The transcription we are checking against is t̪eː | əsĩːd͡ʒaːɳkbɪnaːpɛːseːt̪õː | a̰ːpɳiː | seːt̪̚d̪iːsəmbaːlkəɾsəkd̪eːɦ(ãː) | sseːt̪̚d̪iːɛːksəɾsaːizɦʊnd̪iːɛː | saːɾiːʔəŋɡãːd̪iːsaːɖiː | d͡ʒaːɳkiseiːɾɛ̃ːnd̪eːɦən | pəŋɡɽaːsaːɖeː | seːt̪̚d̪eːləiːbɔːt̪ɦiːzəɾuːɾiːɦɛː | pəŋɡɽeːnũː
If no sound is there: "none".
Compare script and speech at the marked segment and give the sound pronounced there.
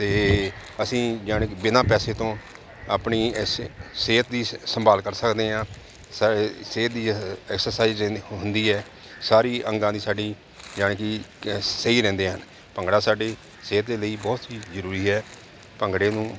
ãː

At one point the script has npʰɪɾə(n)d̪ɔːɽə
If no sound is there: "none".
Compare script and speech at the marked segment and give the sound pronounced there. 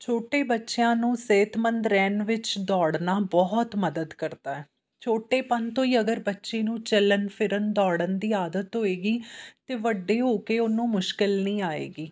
n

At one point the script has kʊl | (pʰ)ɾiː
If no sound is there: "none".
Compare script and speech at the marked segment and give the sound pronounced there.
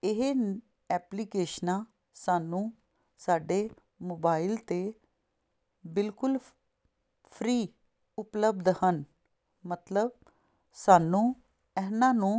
pʰ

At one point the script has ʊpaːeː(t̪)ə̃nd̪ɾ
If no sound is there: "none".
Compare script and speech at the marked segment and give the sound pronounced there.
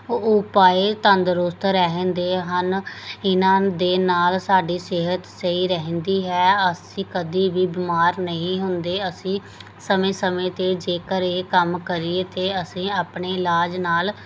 t̪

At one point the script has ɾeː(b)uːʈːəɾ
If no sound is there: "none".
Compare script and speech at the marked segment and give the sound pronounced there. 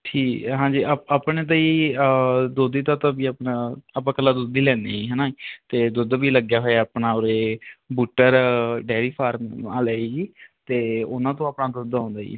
b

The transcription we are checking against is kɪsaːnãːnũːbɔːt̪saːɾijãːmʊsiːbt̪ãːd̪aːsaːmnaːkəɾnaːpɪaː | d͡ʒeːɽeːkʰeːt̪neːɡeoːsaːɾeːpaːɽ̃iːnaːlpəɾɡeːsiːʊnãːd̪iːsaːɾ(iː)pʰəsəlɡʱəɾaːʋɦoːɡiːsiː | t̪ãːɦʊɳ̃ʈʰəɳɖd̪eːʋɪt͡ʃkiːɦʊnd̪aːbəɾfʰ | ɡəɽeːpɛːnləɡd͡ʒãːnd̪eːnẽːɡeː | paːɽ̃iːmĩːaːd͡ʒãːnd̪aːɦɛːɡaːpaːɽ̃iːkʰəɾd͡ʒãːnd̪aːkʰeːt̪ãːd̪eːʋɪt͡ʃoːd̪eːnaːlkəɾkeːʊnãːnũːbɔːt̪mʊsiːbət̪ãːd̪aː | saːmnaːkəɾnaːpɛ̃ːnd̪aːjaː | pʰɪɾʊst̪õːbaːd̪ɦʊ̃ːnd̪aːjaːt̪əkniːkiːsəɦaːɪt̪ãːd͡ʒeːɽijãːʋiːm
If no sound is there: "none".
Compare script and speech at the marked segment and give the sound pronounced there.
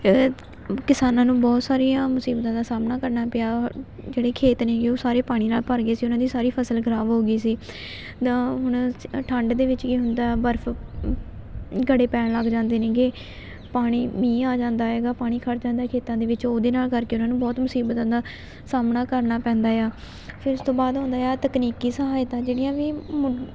iː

